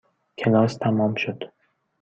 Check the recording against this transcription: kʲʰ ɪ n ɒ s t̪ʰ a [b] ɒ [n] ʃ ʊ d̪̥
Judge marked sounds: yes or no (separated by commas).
no, no